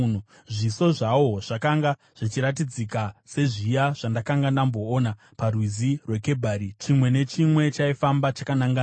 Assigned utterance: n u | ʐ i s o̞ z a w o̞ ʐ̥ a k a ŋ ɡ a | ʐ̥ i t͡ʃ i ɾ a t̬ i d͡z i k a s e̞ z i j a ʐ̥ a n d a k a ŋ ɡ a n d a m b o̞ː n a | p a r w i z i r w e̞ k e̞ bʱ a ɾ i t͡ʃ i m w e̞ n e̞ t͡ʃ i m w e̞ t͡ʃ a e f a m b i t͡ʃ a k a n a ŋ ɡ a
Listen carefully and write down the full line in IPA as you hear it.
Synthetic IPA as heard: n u | ʐ i s o̞ ʐ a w o̞ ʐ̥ a k a ŋ ɡ a | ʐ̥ i t͡ʃ i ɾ a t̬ i d͡z i k a s e̞ ʐ i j a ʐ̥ a n d a k a ŋ ɡ a n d a m b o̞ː n a | p a r w i z i r w e̞ k e̞ bʱ a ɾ i t͡ʃ i m w e̞ n e̞ t͡ʃ i m w e̞ t͡ʃ a i f a m b a t͡ʃ a k a n a ŋ ɡ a